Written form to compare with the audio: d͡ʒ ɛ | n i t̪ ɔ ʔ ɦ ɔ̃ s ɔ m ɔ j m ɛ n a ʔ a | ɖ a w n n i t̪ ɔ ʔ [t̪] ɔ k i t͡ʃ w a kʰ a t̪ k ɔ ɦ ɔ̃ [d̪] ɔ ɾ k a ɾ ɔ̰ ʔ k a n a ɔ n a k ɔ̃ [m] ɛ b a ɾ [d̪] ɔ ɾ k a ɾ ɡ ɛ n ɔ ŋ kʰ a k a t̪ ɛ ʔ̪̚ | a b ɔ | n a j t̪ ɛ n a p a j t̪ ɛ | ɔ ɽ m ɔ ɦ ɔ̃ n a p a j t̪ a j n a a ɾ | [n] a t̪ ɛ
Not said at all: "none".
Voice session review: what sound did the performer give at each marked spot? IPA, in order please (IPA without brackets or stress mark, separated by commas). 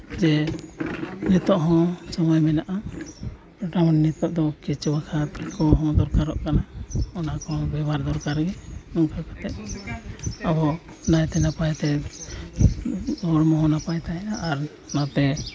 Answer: d̪, d̪, b, d̪, n